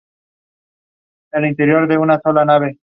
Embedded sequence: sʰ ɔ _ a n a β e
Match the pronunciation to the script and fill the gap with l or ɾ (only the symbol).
l